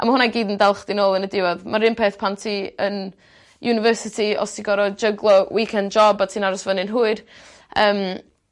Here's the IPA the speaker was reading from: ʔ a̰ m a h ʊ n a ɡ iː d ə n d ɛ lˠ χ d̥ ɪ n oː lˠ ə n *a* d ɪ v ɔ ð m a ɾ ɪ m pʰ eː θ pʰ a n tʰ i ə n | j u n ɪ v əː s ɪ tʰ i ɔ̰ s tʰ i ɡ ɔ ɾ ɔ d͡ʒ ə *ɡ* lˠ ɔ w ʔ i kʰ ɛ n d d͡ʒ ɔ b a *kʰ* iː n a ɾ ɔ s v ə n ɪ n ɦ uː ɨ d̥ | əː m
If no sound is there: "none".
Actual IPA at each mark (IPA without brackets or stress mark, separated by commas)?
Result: ə, ɡ, tʰ